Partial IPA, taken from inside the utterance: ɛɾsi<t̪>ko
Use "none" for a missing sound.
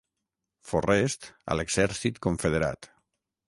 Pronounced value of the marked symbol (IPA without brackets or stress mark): t̪